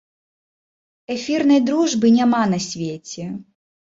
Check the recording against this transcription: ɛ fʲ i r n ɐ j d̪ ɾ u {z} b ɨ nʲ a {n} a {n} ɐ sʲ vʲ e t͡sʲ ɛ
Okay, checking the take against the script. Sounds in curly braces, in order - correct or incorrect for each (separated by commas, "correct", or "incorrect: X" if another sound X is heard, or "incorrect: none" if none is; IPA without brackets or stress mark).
incorrect: ʐ, incorrect: m, correct